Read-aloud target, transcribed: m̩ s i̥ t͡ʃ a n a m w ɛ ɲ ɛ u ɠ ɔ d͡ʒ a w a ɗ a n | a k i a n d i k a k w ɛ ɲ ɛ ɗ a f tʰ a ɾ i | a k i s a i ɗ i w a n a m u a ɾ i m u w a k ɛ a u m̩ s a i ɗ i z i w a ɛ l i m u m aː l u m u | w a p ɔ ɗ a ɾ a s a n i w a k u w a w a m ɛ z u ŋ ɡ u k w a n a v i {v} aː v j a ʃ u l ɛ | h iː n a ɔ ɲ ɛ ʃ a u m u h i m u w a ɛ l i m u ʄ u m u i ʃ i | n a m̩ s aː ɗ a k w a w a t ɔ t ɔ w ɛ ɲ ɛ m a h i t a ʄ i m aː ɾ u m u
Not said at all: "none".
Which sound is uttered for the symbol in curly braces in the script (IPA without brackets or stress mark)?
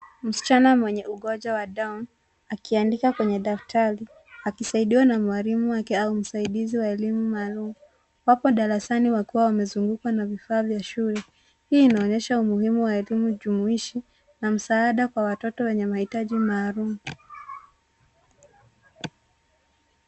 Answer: f